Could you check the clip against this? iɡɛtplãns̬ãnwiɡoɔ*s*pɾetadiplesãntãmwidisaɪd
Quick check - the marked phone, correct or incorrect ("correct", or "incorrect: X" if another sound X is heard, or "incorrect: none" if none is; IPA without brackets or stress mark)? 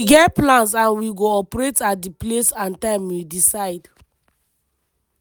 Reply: incorrect: none